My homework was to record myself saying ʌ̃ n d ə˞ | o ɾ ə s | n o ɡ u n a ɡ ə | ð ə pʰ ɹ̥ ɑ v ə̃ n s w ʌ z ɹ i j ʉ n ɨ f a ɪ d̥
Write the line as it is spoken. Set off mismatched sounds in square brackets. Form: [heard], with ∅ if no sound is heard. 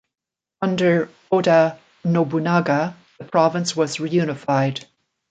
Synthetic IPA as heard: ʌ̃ n d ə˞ | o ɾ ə [∅] | n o [b] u n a ɡ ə | ð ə pʰ ɹ̥ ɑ v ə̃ n s w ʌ z ɹ i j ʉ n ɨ f a ɪ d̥